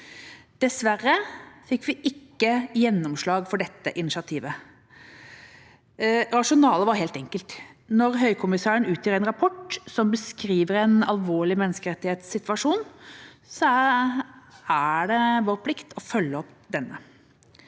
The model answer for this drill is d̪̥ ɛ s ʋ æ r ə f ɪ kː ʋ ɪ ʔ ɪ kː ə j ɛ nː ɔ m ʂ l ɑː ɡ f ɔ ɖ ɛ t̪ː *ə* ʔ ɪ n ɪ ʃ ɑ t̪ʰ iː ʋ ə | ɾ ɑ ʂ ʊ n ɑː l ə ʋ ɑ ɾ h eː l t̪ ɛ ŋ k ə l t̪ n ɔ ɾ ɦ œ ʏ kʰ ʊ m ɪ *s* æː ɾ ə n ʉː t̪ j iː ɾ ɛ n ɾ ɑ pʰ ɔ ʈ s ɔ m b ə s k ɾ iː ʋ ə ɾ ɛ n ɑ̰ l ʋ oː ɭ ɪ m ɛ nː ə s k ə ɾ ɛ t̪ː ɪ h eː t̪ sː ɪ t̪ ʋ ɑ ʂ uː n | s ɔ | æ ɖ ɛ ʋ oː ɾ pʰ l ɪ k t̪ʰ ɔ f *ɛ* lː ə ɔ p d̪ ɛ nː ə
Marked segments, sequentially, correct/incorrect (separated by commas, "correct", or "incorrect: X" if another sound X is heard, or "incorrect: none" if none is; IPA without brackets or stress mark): correct, correct, incorrect: œ